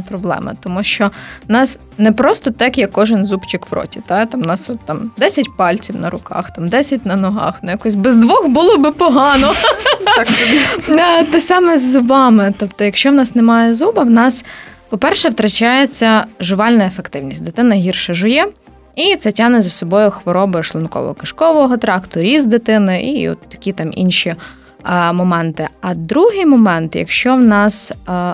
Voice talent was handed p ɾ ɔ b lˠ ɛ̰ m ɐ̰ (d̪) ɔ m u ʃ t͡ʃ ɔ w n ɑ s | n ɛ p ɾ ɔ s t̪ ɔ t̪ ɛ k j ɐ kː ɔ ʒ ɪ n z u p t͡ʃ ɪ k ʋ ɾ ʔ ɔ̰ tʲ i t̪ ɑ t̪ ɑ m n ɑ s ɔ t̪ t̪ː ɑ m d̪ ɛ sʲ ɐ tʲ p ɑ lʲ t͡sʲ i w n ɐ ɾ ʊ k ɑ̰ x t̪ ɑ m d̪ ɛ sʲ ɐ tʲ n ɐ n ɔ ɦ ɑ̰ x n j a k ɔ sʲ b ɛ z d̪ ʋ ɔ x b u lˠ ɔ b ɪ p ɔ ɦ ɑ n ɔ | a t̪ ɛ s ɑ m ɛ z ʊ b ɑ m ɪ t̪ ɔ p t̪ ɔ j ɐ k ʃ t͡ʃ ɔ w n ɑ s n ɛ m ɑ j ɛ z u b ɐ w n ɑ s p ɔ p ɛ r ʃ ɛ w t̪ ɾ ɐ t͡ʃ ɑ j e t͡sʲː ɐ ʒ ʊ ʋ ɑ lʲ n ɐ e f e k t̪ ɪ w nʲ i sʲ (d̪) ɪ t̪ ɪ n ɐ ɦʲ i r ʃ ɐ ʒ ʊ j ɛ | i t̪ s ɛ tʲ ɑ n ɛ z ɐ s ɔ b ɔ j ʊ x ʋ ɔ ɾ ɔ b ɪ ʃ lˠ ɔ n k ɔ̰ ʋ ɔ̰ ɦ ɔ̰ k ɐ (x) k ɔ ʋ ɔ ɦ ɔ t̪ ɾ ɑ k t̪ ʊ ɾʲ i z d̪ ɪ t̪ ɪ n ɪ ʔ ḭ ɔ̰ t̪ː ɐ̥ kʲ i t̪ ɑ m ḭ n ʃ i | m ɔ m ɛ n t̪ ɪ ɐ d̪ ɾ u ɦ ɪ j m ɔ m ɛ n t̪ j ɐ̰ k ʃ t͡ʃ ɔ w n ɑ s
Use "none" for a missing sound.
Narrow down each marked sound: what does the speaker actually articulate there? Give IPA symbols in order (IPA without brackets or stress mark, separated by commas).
t̪, d̪, ʃ